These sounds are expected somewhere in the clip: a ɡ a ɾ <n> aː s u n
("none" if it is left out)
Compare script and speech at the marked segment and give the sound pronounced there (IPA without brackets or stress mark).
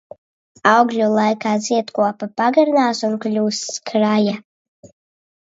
n